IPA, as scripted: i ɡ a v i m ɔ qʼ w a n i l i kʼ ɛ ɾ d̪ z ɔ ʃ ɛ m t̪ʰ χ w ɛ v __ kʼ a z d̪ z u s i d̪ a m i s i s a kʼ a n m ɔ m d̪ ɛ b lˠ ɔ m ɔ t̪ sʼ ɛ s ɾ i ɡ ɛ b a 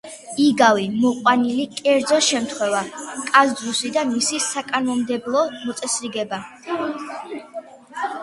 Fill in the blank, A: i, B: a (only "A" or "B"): B